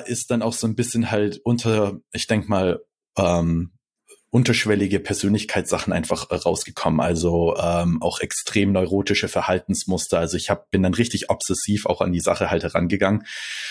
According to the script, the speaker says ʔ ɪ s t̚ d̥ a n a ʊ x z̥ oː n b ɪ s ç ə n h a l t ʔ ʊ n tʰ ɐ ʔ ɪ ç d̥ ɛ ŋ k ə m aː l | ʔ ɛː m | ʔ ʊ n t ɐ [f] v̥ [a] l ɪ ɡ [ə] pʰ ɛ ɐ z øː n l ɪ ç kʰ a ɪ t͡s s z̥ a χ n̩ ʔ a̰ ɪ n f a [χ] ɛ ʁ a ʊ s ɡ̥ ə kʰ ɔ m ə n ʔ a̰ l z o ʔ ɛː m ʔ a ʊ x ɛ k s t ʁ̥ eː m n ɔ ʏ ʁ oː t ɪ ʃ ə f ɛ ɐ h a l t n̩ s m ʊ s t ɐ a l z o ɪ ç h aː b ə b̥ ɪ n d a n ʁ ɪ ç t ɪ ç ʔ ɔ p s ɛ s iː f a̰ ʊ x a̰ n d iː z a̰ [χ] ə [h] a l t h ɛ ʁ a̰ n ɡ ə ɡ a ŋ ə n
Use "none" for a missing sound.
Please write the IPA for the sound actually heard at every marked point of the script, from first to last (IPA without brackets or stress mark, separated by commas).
ʃ, ɛ, ə, χ, χ, h